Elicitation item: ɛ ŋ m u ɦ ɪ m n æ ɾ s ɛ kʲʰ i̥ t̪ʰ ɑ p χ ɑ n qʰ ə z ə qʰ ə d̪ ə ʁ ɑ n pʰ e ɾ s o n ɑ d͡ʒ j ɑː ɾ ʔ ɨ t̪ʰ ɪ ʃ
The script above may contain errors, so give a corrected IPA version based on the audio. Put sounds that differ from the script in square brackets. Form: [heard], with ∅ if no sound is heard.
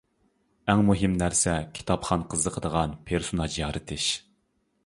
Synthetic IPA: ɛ ŋ m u ɦ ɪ m n æ ɾ s ɛ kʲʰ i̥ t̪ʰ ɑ p χ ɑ n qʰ ə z ə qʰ ə d̪ ə ʁ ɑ n pʰ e ɾ s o n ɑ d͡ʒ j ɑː ɾ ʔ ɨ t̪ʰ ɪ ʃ